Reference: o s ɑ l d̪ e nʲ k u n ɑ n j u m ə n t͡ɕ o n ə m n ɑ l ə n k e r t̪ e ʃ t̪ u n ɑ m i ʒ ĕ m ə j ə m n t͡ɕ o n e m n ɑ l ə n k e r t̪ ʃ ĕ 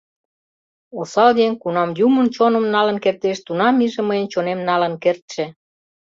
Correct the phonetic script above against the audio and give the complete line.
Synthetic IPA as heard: o s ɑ l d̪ e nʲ k u n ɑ m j u m ə n t͡ɕ o n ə m n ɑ l ə n k e r t̪ e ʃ t̪ u n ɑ m i ʒ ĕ m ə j ə n t͡ɕ o n e m n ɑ l ə n k e r t̪ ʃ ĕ